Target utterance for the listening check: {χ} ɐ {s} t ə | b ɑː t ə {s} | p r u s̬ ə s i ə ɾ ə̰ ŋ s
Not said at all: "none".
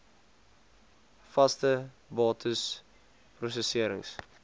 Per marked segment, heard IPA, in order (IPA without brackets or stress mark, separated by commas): f, s, s